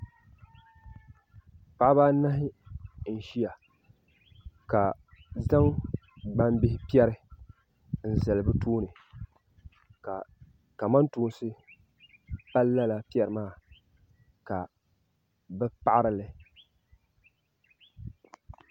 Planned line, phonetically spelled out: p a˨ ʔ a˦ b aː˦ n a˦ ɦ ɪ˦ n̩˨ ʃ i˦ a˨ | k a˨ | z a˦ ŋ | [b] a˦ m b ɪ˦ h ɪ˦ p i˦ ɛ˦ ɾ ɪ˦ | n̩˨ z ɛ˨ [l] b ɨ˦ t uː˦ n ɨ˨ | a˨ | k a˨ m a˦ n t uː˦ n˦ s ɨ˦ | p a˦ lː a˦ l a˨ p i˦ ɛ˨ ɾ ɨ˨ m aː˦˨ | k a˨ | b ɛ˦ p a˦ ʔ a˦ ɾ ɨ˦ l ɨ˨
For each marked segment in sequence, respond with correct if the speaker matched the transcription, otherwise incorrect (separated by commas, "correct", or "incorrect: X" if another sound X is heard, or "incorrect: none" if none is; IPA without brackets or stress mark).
incorrect: ɡ͡b, correct